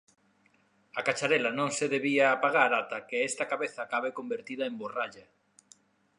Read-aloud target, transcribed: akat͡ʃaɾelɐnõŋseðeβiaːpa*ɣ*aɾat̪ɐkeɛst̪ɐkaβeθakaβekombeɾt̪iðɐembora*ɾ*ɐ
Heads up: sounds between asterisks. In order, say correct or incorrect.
correct, incorrect

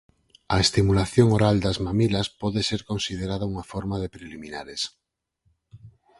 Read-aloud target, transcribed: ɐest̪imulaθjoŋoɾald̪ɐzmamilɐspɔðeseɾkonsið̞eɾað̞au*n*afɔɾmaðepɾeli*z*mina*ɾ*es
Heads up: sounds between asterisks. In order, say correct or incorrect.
incorrect, incorrect, correct

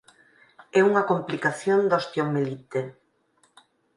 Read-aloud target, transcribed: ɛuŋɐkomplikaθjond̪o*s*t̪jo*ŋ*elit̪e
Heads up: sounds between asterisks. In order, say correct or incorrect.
correct, incorrect

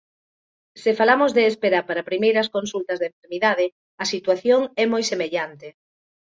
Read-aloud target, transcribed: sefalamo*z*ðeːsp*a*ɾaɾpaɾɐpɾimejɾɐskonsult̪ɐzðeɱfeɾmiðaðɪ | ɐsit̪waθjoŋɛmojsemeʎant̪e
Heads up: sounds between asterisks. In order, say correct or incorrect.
correct, incorrect

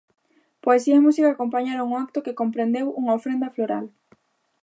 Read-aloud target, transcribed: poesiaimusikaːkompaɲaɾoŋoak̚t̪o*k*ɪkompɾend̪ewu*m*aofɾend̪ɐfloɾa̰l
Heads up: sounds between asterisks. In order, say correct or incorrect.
correct, incorrect

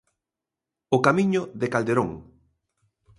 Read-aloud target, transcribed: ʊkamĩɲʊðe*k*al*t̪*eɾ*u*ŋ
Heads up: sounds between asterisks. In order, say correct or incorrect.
correct, incorrect, incorrect

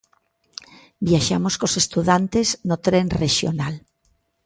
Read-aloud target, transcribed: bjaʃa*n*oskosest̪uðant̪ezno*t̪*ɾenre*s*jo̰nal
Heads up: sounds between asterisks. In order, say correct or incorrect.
incorrect, correct, incorrect

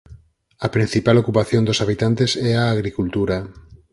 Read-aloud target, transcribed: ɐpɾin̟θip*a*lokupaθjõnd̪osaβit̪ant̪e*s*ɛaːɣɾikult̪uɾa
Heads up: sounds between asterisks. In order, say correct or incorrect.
correct, correct

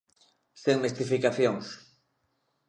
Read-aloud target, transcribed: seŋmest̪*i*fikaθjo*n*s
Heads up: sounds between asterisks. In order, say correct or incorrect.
correct, incorrect

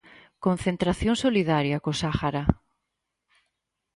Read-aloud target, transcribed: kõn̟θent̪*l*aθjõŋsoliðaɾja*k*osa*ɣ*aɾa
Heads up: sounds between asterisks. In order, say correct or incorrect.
incorrect, correct, incorrect

